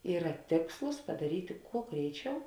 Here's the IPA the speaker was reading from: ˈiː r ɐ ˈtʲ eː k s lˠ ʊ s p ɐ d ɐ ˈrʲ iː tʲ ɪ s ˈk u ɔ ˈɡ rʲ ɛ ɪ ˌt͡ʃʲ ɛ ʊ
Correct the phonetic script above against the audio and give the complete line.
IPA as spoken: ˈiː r ɐ ˈtʲ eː k s lˠ ʊ s p ɐ d ɐ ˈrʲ iː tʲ ɪ ˈk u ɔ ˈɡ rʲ ɛ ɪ ˌt͡ʃʲ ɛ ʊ